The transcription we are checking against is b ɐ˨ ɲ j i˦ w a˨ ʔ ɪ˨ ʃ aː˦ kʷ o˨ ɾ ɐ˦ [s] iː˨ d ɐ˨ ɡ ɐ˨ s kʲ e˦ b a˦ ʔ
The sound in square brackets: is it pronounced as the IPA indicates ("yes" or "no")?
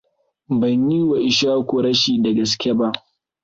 no